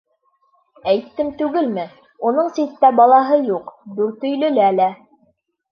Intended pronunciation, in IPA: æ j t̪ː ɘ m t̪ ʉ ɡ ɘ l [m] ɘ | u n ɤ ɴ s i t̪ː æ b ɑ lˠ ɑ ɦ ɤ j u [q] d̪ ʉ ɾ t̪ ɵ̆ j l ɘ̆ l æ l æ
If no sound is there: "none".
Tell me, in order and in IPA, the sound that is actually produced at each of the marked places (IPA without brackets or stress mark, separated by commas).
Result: m, q